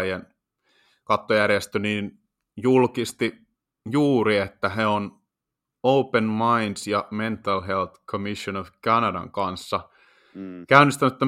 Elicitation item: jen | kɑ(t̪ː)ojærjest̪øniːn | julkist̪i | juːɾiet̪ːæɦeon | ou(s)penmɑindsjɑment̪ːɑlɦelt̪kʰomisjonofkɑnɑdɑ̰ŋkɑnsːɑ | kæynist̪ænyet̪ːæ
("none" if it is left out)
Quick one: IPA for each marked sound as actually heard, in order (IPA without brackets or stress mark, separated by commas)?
t̪ː, none